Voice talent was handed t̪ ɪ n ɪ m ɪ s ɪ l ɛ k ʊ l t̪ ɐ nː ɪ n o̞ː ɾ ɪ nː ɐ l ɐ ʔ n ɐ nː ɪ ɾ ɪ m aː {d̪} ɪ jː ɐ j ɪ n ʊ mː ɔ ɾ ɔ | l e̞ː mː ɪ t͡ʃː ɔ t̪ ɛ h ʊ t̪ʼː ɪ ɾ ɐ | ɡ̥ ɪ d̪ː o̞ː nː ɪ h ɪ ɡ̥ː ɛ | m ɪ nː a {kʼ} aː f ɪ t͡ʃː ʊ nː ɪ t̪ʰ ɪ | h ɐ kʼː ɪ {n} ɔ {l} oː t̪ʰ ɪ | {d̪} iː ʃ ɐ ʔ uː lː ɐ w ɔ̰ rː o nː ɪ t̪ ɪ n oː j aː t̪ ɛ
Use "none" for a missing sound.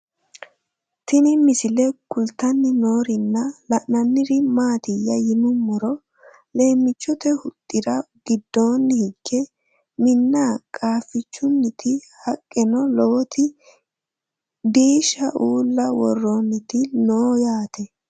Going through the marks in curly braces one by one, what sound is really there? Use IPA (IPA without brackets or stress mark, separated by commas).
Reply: t̪, kʼ, n, l, d̪